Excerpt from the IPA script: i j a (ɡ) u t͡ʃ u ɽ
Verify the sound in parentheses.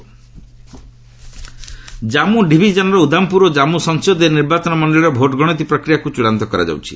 incorrect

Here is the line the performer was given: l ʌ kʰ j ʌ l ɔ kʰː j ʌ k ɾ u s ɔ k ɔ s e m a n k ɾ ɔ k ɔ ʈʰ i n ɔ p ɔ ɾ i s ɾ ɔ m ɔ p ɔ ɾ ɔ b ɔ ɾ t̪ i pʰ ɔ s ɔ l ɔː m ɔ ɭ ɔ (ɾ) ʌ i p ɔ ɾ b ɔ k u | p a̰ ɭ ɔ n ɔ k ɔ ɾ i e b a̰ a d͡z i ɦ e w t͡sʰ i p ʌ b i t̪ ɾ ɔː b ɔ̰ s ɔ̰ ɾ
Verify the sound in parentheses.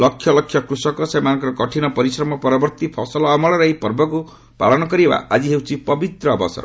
correct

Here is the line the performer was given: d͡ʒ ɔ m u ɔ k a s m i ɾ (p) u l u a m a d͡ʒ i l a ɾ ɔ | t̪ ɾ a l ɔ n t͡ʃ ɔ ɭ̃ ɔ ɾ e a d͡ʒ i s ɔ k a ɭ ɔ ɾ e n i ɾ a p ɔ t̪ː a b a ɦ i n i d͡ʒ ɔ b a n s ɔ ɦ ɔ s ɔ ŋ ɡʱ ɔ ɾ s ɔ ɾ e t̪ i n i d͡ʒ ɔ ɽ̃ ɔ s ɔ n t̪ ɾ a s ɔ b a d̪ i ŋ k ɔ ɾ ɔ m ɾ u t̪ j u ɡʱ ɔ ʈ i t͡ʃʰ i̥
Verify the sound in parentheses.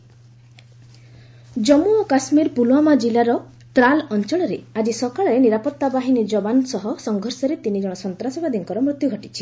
correct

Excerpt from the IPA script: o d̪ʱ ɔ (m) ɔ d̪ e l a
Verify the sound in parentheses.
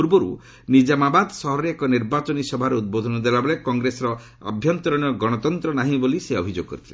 incorrect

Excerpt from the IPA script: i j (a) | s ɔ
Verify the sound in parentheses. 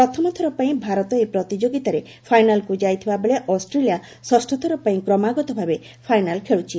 correct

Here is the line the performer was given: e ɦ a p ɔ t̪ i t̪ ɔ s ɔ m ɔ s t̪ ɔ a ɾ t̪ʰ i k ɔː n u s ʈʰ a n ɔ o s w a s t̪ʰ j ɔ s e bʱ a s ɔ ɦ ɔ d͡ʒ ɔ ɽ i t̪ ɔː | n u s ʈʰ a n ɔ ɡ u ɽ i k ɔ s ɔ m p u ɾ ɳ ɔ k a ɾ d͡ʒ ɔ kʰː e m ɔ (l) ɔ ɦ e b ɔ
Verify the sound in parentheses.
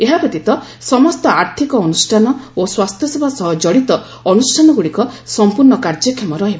incorrect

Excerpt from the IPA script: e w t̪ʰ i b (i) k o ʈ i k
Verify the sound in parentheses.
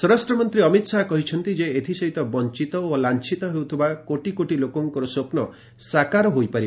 incorrect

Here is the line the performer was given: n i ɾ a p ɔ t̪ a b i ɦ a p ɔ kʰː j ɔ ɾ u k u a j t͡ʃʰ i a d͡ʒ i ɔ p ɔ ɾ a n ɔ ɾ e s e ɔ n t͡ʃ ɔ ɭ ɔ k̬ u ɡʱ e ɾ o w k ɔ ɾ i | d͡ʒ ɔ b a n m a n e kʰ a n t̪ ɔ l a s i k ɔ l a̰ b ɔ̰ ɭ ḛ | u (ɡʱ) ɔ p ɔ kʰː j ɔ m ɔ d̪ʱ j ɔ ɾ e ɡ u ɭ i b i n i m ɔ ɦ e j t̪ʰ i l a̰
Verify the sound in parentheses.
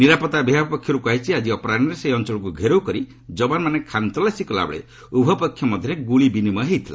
incorrect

